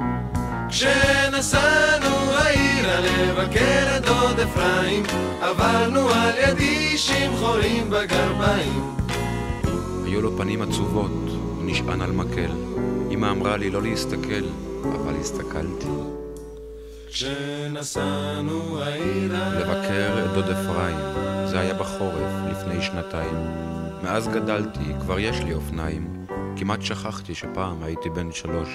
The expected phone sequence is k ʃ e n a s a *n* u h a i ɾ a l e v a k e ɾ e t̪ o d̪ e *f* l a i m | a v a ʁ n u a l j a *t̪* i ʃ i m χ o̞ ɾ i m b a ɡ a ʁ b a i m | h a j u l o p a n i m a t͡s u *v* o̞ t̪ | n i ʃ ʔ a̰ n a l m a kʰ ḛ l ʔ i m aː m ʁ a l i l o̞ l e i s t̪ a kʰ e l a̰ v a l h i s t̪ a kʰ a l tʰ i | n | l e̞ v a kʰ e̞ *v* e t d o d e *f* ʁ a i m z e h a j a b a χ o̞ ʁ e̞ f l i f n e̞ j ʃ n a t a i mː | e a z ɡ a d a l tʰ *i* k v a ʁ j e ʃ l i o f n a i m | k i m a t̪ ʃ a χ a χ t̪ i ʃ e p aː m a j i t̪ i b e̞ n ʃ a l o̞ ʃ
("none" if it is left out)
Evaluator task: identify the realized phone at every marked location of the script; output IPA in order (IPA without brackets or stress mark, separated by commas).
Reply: n, f, d̪, v, ʁ, f, i